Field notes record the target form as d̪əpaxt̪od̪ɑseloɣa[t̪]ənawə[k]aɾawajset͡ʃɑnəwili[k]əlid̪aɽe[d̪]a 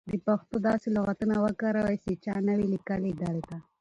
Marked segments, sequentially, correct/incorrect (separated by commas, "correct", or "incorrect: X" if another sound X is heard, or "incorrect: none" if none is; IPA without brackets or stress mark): correct, correct, correct, incorrect: t̪